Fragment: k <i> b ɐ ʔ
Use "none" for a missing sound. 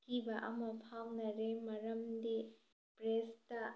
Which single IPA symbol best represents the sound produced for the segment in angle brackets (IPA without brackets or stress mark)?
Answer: i